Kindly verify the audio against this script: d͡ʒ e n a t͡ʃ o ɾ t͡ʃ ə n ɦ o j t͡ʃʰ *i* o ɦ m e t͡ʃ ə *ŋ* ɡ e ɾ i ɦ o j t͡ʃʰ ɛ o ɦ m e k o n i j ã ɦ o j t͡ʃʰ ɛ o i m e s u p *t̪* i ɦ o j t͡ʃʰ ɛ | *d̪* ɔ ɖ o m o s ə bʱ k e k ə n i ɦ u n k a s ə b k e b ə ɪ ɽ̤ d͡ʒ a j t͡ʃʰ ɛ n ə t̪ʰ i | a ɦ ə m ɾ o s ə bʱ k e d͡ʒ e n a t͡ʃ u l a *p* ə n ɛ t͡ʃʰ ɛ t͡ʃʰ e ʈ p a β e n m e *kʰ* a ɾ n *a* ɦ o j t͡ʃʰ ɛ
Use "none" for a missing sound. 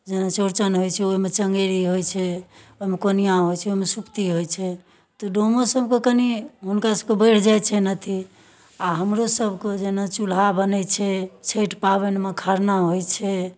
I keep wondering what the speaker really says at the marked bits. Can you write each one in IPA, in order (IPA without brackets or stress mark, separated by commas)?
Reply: ɛ, ŋ, t̪, t̪, b, kʰ, a